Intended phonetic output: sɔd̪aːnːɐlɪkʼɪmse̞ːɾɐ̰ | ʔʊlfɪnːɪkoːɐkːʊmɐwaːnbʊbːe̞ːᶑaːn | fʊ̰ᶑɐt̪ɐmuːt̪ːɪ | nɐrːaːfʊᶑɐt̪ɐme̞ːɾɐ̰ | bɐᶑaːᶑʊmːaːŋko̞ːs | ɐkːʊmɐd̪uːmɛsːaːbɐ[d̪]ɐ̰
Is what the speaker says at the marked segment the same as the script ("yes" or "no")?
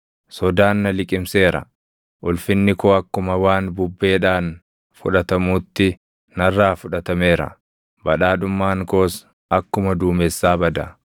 yes